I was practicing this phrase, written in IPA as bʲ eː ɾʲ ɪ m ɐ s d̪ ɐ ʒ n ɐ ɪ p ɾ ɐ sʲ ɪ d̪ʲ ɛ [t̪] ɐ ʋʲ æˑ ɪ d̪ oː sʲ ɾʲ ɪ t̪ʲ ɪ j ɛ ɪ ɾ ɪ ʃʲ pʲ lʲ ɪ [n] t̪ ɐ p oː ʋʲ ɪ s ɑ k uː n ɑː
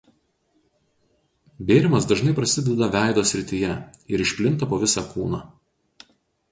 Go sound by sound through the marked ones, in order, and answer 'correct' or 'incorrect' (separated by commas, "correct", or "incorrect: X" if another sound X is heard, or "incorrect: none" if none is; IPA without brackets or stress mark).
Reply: incorrect: d̪, correct